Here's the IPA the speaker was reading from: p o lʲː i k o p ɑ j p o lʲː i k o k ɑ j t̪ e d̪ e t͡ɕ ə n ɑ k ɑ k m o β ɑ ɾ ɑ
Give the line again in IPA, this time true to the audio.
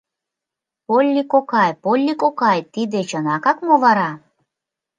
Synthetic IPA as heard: p o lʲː i k o k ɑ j p o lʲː i k o k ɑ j t̪ i d̪ e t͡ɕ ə n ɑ k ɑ k m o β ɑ ɾ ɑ

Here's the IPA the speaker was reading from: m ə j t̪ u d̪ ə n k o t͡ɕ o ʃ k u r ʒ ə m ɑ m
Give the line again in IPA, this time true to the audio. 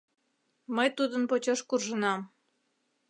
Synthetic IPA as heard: m ə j t̪ u d̪ ə n p o t͡ɕ o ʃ k u r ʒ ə n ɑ m

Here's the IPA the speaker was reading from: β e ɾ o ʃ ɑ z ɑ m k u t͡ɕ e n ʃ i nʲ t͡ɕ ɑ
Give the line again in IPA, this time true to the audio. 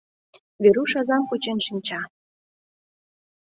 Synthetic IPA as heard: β e ɾ u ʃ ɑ z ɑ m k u t͡ɕ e n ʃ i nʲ t͡ɕ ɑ

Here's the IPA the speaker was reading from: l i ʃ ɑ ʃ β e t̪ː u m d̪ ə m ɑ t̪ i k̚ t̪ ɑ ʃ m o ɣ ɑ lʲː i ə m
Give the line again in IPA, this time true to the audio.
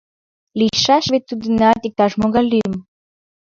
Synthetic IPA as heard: l i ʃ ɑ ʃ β e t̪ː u d̪ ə n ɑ t̪ i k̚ t̪ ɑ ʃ m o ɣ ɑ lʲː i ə m

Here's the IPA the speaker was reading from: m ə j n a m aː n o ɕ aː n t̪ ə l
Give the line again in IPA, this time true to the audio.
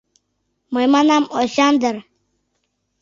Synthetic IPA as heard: m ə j m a n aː m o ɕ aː n d̪ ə ɾ

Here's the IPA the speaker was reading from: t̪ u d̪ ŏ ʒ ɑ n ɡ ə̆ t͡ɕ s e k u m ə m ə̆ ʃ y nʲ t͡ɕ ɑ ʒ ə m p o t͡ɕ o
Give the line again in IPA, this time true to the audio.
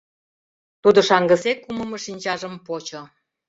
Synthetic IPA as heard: t̪ u d̪ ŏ ʃ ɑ ŋ ɡ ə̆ s e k u m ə m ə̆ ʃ i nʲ t͡ɕ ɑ ʒ ə m p o t͡ɕ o

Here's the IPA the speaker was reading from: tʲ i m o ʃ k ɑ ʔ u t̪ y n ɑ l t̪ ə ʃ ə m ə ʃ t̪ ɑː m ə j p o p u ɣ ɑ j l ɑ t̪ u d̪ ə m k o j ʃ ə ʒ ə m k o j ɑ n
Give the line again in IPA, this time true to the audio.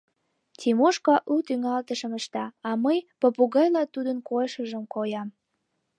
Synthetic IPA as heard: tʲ i m o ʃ k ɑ ʔ u t̪ y ŋ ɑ l t̪ ə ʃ ə m ə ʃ t̪ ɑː m ə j p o p u ɣ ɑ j l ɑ t̪ u d̪ ə n k o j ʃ ə ʒ ə m k o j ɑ m

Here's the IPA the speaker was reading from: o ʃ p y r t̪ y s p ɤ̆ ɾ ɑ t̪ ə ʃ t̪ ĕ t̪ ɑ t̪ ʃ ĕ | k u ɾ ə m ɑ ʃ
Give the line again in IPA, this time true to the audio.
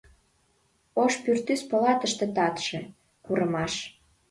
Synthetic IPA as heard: o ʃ p y r t̪ y s p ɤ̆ l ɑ t̪ ə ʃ t̪ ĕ t̪ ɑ t̪ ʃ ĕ | k u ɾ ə m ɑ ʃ

